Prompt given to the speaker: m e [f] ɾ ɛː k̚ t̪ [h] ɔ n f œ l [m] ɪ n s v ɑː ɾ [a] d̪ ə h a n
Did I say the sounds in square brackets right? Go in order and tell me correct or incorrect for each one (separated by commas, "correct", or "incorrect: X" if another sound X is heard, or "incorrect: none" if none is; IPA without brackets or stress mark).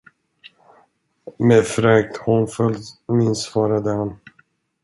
correct, correct, correct, correct